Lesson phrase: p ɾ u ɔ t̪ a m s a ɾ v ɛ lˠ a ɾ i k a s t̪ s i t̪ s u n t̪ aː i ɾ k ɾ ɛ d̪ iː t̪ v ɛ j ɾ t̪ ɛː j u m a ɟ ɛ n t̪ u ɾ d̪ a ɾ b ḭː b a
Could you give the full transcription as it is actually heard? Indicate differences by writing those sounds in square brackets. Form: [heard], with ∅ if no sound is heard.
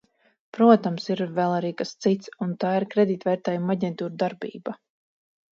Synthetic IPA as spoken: p ɾ u ɔ t̪ a m s [i] ɾ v ɛ lˠ a ɾ [iː] k a s t̪ s i t̪ s u n t̪ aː i ɾ k ɾ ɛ d̪ iː t̪ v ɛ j ɾ t̪ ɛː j u m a ɟ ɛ n t̪ [uː] ɾ d̪ a ɾ b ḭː b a